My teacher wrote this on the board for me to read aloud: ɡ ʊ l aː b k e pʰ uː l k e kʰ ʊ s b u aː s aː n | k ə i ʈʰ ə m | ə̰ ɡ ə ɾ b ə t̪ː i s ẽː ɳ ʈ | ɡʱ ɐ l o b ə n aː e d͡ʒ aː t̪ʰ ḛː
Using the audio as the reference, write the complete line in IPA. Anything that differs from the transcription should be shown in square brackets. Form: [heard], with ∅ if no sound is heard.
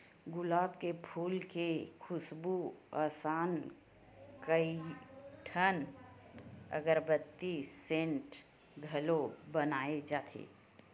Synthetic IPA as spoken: ɡ ʊ l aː b k e pʰ uː l k e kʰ ʊ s b u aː s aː n | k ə i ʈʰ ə [n] | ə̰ ɡ ə ɾ b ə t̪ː i s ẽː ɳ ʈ | ɡʱ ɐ l o b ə n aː e d͡ʒ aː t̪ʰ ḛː